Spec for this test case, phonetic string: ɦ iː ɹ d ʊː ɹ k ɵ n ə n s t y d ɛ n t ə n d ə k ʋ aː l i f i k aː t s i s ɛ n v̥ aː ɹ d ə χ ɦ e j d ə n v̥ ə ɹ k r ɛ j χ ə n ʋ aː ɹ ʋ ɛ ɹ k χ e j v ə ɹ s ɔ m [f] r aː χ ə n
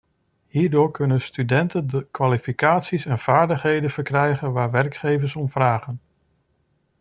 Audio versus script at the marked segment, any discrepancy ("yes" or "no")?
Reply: yes